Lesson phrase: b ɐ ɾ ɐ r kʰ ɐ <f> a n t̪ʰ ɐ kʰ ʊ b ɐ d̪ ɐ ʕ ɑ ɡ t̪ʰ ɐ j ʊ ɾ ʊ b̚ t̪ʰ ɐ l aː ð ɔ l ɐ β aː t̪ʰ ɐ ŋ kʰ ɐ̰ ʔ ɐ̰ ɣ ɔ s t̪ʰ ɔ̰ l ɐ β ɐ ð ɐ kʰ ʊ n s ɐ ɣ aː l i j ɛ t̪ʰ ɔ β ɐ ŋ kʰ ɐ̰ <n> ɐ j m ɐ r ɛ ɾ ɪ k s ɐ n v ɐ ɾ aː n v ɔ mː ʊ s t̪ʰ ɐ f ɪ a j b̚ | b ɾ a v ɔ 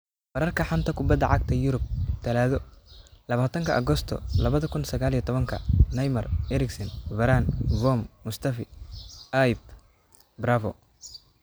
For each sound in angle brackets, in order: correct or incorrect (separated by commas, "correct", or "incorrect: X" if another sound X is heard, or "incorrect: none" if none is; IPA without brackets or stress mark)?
incorrect: ħ, correct